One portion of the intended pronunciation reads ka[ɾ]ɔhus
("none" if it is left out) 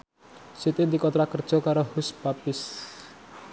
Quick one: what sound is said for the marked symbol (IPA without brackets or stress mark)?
ɾ